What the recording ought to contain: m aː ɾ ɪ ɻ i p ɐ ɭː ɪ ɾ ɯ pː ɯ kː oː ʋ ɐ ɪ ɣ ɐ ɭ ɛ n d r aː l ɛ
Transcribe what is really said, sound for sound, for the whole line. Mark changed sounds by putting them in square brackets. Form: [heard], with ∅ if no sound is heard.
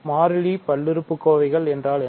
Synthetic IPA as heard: m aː ɾ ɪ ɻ i p ɐ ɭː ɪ ɾ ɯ pː ɯ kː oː ʋ ɐ ɪ ɣ ɐ ɭ ɛ n d r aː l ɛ